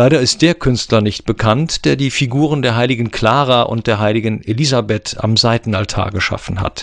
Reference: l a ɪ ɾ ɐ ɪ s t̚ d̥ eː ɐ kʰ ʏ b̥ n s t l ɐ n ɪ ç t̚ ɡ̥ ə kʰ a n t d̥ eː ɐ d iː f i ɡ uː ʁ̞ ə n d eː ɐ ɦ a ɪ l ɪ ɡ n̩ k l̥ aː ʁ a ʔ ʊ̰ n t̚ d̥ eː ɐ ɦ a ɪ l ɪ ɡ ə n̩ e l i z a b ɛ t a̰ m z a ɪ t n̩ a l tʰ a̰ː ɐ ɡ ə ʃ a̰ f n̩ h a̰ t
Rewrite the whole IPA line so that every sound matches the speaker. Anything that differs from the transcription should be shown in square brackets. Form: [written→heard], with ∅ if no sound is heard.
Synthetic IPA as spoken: l a ɪ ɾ ɐ ɪ s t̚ d̥ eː ɐ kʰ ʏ [b̥→∅] n s t l ɐ n ɪ ç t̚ [ɡ̥→b̥] ə kʰ a n t d̥ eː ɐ d iː f i ɡ uː ʁ̞ ə n d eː ɐ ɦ a ɪ l ɪ ɡ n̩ k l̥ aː ʁ a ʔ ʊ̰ n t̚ d̥ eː ɐ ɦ a ɪ l ɪ ɡ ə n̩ e l i z a b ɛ t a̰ m z a ɪ t n̩ a l tʰ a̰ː ɐ ɡ ə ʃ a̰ f n̩ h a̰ t